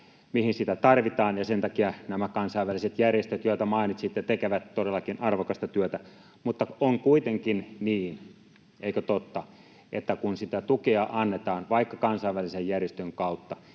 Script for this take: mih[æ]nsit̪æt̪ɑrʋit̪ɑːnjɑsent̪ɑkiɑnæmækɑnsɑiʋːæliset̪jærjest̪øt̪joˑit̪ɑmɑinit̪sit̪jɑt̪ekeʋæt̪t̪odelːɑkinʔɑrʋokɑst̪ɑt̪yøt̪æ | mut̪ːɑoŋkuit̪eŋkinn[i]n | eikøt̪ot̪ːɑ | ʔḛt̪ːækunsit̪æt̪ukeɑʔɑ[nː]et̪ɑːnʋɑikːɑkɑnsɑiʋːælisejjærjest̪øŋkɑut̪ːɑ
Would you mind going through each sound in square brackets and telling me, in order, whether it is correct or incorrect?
incorrect, incorrect, correct

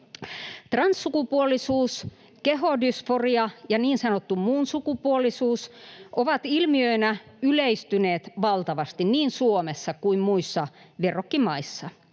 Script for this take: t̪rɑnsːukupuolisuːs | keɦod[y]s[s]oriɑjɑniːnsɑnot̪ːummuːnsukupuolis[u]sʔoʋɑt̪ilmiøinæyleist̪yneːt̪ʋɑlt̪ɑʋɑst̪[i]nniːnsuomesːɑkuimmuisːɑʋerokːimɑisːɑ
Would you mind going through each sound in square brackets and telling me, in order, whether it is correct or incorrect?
correct, incorrect, incorrect, correct

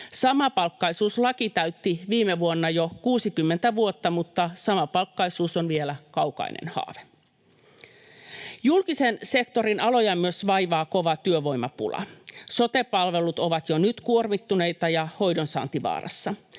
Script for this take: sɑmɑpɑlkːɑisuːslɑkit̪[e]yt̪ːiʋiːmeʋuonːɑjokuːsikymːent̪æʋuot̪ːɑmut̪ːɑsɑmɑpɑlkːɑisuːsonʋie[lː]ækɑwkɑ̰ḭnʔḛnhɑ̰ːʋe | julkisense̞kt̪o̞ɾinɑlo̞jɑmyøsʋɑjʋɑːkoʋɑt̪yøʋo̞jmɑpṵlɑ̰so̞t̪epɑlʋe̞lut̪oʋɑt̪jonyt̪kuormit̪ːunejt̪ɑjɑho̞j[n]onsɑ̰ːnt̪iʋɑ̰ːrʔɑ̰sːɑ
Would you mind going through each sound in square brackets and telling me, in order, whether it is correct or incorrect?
incorrect, incorrect, incorrect

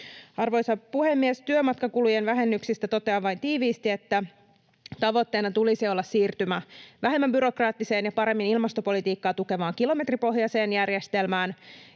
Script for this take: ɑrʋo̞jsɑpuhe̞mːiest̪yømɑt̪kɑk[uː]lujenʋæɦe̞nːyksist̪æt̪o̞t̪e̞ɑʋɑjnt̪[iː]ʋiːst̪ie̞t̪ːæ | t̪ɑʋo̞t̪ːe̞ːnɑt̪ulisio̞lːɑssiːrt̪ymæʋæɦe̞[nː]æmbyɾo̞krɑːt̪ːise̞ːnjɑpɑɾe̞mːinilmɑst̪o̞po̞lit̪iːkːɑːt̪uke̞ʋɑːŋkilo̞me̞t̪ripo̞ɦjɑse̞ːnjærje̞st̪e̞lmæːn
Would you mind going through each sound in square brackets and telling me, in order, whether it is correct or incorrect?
incorrect, correct, incorrect

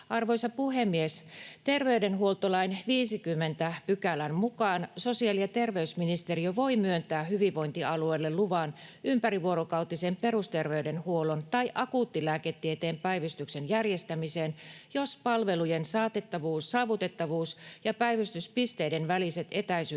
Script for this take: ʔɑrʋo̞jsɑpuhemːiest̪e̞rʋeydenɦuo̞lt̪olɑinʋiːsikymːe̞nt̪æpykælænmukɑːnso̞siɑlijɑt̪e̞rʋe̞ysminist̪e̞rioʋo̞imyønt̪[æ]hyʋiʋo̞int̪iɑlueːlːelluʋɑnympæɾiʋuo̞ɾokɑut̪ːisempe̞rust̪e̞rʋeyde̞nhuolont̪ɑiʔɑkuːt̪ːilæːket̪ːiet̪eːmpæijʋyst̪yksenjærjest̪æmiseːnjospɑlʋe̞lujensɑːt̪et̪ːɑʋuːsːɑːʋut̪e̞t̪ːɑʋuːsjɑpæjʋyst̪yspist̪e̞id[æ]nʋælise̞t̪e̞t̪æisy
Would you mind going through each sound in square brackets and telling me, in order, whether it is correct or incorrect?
incorrect, incorrect

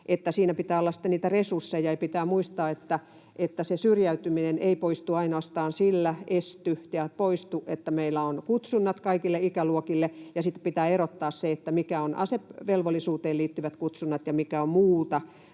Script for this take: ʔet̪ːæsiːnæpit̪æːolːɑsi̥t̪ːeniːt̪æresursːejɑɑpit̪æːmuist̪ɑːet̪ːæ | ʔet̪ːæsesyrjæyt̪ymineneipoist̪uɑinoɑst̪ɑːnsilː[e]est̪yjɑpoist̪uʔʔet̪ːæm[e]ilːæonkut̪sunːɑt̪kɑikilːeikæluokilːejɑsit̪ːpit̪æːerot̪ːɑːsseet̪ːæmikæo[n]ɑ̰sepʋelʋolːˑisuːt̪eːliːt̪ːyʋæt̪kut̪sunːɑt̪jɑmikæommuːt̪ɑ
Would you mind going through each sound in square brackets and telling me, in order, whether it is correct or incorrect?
incorrect, correct, correct

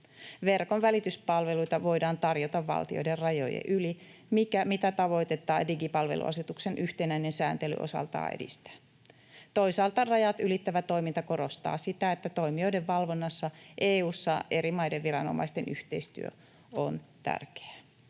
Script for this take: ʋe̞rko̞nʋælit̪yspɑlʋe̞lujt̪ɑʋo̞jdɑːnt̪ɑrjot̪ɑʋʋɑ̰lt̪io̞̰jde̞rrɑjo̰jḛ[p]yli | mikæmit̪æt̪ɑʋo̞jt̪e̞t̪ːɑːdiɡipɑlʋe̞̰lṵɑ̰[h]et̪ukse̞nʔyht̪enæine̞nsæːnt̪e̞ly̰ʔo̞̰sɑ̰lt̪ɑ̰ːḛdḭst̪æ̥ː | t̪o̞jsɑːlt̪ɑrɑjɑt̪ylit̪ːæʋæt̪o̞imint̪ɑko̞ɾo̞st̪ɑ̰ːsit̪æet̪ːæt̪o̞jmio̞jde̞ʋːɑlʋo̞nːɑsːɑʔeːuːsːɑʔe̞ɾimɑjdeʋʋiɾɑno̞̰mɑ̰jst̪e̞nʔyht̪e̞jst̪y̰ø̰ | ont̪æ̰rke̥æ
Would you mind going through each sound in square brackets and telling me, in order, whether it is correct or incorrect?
incorrect, incorrect

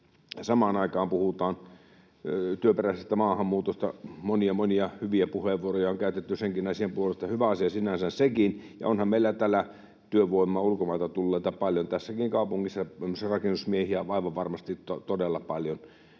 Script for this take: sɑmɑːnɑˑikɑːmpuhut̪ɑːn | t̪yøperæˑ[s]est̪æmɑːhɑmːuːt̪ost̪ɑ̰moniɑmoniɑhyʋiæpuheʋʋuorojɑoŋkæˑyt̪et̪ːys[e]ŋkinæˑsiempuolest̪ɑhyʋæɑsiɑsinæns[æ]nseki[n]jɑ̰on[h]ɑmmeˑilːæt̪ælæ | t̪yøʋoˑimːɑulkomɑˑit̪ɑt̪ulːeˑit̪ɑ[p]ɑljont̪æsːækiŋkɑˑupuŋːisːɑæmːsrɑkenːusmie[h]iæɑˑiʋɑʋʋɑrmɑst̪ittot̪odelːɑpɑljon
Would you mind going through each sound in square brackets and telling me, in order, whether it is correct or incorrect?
correct, correct, correct, correct, correct, correct, correct

